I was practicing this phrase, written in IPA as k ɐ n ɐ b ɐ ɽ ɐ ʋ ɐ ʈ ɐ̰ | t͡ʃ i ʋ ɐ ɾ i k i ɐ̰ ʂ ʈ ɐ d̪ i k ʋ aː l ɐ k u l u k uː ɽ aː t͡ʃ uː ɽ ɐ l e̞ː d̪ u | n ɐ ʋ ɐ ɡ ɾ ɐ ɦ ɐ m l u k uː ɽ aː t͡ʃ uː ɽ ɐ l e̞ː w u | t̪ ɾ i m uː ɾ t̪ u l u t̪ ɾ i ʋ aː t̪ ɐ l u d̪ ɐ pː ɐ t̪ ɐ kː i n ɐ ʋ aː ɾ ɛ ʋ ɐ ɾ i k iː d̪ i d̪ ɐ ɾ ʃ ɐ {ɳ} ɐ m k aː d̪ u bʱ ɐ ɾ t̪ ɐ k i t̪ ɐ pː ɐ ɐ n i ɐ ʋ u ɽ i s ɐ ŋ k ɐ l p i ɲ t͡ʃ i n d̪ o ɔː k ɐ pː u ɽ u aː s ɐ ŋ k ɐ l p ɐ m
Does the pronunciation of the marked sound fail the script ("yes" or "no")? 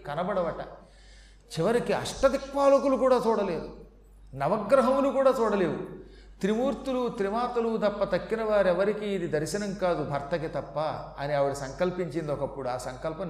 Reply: yes